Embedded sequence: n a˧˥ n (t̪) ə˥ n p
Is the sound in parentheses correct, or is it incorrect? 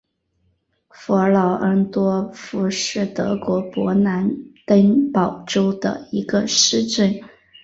correct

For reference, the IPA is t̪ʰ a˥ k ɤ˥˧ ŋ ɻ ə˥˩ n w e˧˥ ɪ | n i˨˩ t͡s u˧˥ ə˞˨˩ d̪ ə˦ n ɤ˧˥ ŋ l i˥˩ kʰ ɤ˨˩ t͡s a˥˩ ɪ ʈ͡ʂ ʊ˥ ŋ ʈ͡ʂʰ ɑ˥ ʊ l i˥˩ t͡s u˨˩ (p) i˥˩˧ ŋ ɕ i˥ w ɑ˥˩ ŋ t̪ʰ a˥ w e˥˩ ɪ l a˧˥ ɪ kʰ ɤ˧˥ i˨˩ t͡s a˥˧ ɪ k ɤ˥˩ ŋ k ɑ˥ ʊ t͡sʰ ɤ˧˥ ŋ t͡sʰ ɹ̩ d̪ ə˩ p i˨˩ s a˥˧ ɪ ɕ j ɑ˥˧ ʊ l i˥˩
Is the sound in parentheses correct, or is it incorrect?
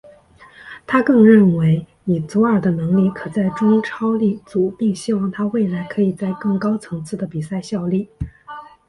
correct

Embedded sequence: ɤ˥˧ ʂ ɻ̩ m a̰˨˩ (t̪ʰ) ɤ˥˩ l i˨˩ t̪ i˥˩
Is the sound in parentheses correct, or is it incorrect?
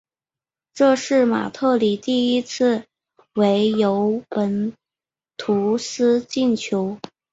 correct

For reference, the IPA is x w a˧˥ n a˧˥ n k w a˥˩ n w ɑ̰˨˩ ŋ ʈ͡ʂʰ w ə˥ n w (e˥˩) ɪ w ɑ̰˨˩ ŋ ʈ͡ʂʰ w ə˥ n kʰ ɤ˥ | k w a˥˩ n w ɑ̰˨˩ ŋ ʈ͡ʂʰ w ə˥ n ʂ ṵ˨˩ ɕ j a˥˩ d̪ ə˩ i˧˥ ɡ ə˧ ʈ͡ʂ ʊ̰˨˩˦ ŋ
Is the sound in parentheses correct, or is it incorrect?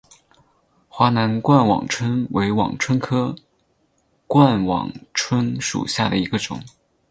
incorrect: e˧˥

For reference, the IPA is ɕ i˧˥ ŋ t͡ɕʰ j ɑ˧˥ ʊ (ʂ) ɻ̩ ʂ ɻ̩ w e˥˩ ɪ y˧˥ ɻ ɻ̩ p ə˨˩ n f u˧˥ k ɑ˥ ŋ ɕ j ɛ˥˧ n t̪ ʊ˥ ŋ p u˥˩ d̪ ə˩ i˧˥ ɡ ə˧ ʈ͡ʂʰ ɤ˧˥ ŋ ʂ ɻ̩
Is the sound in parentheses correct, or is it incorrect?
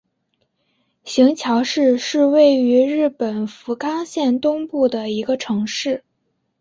correct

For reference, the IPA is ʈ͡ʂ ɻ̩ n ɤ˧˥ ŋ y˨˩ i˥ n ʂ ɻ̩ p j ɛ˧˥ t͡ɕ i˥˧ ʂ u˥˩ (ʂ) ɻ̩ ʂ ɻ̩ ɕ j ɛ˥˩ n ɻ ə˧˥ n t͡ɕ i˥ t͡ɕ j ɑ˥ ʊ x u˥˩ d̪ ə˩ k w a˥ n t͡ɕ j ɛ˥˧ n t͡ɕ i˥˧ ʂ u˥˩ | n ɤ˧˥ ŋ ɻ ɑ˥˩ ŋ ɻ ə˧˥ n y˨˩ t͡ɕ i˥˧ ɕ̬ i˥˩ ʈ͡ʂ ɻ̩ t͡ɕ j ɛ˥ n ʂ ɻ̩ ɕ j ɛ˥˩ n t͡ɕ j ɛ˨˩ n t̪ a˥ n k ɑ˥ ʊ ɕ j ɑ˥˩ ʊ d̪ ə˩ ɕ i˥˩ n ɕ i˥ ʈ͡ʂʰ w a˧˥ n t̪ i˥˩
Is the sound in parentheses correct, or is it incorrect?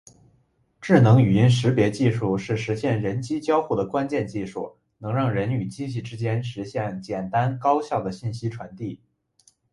correct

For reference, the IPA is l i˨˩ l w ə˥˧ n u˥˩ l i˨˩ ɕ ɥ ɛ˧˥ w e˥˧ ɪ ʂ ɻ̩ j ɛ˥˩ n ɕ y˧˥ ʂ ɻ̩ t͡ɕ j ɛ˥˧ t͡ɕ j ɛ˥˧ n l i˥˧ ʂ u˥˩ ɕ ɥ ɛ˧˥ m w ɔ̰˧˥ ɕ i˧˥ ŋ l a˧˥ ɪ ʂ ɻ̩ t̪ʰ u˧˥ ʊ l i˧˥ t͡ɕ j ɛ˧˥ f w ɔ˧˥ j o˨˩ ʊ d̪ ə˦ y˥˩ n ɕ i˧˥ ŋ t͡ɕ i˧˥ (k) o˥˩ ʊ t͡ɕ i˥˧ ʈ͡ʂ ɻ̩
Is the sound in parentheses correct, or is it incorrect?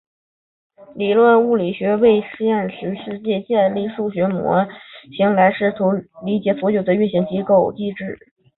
correct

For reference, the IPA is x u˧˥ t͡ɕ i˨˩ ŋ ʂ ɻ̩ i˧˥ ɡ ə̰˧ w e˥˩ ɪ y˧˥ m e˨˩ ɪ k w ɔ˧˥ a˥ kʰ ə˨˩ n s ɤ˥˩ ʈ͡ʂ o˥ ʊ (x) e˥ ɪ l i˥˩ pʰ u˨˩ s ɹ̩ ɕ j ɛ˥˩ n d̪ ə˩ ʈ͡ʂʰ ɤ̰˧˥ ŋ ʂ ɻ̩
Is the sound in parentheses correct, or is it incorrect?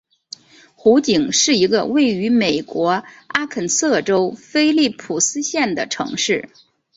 incorrect: f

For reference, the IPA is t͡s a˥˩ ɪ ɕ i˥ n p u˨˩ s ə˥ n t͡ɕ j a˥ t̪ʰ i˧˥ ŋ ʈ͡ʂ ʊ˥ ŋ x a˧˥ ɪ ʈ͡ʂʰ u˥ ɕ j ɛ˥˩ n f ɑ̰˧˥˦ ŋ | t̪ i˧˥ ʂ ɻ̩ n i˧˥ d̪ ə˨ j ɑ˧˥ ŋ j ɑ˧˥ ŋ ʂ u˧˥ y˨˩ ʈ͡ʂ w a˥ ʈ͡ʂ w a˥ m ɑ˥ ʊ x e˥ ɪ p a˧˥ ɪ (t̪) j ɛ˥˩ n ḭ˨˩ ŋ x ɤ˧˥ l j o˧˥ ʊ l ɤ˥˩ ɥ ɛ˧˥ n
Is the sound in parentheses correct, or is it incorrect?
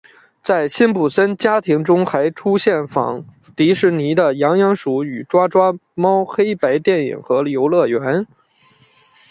correct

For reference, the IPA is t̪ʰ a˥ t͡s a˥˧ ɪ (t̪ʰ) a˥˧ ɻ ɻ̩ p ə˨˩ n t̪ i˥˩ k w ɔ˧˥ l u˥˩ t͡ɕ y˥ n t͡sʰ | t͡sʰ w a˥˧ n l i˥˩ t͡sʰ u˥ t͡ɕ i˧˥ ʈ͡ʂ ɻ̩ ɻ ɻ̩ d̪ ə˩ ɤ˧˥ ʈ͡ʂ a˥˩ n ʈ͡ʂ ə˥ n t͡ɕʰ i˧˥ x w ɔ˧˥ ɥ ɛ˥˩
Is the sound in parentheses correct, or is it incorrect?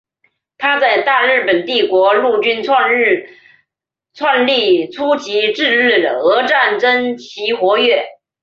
incorrect: t̪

